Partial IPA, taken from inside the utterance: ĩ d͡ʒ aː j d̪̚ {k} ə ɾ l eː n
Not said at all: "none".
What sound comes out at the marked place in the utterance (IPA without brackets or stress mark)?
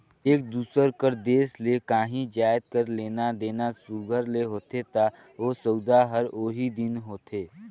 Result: k